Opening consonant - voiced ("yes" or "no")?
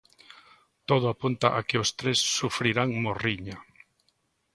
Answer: no